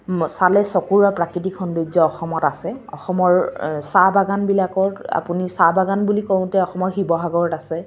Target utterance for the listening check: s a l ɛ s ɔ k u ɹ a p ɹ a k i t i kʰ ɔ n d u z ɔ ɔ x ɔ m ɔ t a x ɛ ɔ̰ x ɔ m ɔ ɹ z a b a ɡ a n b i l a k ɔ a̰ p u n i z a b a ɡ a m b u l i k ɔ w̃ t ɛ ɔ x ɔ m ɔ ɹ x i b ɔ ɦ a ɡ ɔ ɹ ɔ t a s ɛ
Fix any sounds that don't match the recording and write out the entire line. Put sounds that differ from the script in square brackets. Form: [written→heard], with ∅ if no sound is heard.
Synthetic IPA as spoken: s a l ɛ s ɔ k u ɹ a p ɹ a k i t i kʰ ɔ n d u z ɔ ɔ x ɔ m ɔ t a [x→s] ɛ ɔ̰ x ɔ m ɔ ɹ [z→s] a b a ɡ a n b i l a k ɔ a̰ p u n i [z→s] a b a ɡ a [m→n] b u l i k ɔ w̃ t ɛ ɔ x ɔ m ɔ ɹ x i b ɔ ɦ a ɡ ɔ ɹ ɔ t a s ɛ